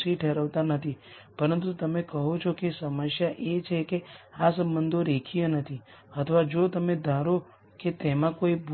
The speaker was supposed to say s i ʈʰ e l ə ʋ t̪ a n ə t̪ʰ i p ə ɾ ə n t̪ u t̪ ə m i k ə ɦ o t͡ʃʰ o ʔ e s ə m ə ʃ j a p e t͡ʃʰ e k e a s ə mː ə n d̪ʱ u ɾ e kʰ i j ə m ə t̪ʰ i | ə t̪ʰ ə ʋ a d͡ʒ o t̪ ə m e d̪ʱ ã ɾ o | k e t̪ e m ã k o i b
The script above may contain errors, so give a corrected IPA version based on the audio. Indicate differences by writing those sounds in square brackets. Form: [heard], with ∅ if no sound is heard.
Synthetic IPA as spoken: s i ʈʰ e [ɾ] ə ʋ t̪ a n ə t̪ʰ i p ə ɾ ə n t̪ u t̪ ə m [e] k ə ɦ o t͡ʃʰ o [k] e s ə m ə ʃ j a [ʔ] e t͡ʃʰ e k e a s ə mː ə n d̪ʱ [o] ɾ e kʰ i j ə [n] ə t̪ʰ i | ə t̪ʰ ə ʋ a d͡ʒ o t̪ ə m e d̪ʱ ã ɾ o | k e t̪ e m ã k o i b